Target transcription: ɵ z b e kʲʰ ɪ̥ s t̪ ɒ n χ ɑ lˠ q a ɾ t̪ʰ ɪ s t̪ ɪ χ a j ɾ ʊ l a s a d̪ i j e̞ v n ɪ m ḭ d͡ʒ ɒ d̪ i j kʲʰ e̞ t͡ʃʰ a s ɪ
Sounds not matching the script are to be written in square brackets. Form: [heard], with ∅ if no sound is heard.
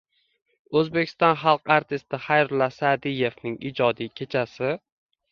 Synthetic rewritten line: ɵ z b e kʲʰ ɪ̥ s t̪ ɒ n χ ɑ lˠ q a ɾ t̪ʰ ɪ s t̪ ɪ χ a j ɾ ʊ l a s a d̪ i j e̞ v n ɪ [ŋ] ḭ d͡ʒ ɒ d̪ i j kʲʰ e̞ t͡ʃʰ a s ɪ